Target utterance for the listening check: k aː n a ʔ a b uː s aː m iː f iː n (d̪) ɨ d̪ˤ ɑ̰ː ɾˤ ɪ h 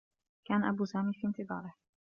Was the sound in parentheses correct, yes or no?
no